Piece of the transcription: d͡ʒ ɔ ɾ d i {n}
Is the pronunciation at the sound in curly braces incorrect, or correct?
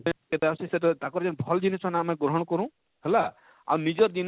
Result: correct